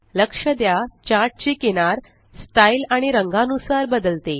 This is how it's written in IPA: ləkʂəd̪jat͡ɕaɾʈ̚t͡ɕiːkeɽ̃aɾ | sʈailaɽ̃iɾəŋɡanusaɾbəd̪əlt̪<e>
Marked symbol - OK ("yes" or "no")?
yes